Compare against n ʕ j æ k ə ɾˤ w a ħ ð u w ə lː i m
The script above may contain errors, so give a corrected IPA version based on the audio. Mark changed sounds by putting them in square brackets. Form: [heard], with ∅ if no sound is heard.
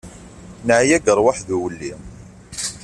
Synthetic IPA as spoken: n ʕ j æ [ɡ] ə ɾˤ w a ħ ð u w ə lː i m